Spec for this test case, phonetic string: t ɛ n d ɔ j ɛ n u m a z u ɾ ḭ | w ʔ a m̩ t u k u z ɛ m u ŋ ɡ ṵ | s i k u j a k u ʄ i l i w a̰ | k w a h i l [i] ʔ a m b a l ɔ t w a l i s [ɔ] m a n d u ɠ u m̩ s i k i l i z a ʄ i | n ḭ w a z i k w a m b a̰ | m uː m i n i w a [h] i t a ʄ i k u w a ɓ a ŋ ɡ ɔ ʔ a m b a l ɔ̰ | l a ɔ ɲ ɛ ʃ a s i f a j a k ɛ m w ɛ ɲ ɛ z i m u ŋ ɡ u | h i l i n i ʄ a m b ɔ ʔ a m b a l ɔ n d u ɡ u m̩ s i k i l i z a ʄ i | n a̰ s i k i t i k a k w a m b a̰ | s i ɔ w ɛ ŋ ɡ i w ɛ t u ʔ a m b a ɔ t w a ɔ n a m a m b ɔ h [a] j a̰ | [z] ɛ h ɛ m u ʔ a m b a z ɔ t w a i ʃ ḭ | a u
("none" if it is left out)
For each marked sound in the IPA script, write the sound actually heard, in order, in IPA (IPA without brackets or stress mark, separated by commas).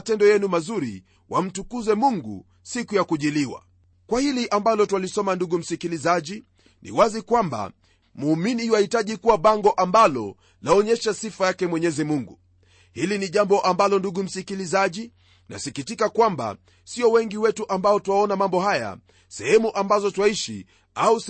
i, ɔ, h, a, s